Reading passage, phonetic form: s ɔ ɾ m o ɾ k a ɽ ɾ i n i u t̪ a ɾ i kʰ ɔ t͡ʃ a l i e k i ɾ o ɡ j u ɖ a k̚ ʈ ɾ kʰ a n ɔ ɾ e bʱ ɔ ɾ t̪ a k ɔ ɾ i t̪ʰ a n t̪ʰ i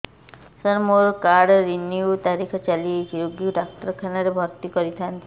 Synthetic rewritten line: s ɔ ɾ m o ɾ k a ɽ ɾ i n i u t̪ a ɾ i kʰ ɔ t͡ʃ a l i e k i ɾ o ɡ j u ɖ a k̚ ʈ ɾ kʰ a n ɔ ɾ e bʱ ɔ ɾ t̪ i k ɔ ɾ i t̪ʰ a n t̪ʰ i